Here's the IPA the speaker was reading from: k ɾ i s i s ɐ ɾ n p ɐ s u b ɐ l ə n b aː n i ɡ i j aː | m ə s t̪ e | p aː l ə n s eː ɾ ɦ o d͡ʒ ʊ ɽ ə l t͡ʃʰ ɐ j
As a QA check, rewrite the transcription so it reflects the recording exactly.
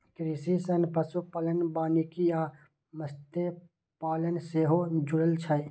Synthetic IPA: k ɾ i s i s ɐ n p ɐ s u p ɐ l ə n b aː n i k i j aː | m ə s t̪ e | p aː l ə n s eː ɦ o d͡ʒ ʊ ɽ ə l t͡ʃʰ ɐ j